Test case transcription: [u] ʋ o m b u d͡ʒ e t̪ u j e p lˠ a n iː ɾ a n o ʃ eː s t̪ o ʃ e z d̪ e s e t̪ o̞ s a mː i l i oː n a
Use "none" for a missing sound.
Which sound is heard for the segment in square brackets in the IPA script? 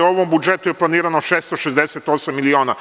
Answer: o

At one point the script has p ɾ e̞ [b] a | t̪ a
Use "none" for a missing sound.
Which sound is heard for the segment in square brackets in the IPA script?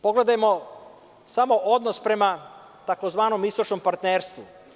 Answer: m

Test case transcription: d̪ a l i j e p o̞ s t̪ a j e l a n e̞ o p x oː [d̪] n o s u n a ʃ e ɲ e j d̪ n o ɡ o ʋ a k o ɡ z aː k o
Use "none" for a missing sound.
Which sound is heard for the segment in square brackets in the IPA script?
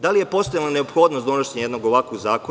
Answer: d̪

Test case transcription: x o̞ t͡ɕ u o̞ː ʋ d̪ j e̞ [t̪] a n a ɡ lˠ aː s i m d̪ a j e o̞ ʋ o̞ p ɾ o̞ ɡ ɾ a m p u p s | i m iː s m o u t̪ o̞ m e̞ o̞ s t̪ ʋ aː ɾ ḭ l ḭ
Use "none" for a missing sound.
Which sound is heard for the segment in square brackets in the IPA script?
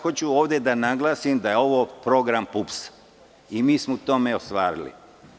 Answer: d̪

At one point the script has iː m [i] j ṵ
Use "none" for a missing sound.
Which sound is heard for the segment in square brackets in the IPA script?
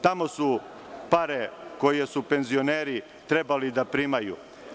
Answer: a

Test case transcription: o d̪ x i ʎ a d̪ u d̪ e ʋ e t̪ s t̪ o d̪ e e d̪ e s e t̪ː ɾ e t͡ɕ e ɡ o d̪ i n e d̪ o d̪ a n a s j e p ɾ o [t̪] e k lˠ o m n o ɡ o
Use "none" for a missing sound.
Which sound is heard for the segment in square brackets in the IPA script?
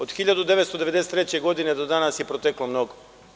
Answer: t̪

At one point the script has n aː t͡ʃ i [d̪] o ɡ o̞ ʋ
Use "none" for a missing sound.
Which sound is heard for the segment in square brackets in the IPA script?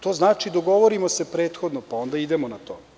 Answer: d̪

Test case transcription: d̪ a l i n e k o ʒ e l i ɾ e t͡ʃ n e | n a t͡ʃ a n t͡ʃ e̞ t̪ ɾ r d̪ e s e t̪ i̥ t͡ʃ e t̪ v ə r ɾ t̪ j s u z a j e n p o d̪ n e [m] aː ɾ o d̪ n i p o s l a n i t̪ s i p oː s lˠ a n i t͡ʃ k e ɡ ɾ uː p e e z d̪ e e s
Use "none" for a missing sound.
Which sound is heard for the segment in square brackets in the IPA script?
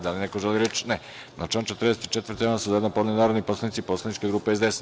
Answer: n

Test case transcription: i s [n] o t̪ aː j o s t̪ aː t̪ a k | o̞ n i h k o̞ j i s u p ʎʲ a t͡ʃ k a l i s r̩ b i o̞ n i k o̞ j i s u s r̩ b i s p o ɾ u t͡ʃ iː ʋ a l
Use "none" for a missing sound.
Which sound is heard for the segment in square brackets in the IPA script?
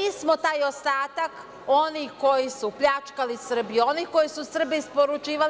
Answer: m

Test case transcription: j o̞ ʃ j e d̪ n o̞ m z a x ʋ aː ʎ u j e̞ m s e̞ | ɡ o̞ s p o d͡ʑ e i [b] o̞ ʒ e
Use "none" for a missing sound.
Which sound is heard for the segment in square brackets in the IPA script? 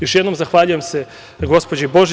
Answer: b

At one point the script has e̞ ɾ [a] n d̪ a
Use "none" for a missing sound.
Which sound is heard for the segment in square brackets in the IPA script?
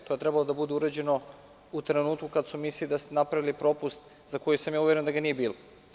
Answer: e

